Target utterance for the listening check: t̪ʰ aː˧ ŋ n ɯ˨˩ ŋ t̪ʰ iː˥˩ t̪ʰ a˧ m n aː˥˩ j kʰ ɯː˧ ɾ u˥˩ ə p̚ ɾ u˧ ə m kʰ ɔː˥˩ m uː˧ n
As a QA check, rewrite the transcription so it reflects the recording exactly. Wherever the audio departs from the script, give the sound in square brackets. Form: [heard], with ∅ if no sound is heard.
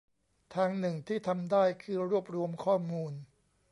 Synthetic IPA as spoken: t̪ʰ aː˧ ŋ n ɯ˨˩ ŋ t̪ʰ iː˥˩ t̪ʰ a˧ m [d] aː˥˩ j kʰ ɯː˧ ɾ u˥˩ ə p̚ ɾ u˧ ə m kʰ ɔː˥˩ m uː˧ n